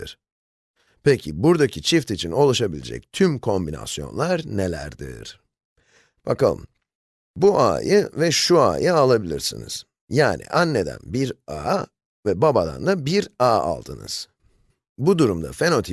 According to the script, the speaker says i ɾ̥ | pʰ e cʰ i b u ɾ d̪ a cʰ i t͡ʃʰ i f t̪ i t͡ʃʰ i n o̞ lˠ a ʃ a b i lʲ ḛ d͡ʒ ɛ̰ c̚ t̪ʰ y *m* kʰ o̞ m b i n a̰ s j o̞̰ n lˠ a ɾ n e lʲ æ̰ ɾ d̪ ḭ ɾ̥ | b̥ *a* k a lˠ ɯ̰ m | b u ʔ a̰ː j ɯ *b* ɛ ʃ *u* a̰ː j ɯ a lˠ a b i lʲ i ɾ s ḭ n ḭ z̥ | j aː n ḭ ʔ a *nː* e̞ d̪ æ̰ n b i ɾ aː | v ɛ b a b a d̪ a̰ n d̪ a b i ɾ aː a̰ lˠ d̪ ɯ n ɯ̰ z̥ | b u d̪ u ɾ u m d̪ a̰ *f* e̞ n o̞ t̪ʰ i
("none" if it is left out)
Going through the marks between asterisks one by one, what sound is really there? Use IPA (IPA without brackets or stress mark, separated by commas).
m, a, v, u, nː, f